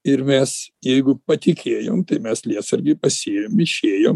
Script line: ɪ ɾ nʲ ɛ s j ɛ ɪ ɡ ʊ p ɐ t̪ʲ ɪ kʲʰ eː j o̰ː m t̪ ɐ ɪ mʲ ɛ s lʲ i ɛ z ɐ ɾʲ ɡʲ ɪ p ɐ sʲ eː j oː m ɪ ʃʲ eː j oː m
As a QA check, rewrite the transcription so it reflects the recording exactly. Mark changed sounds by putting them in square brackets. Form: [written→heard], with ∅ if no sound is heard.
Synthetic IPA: ɪ ɾ [nʲ→mʲ] ɛ s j ɛ ɪ ɡ ʊ p ɐ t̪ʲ ɪ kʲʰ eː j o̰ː m t̪ ɐ ɪ mʲ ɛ s lʲ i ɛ [z→s] ɐ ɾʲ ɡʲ ɪ p ɐ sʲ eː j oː m ɪ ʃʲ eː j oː m